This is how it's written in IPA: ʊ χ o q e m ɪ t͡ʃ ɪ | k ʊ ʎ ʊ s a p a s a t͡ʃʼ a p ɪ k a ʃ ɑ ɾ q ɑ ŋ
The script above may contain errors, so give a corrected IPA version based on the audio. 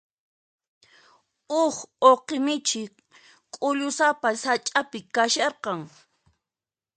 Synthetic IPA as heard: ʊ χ o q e m ɪ t͡ʃ ɪ | kʼ ʊ ʎ ʊ s a p a s a t͡ʃʼ a p ɪ k a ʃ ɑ ɾ q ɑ ŋ